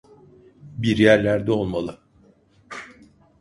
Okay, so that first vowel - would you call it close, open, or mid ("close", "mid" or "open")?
close